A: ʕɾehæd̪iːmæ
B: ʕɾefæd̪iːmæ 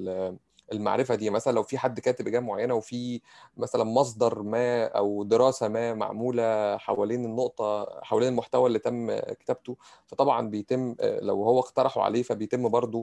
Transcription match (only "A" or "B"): B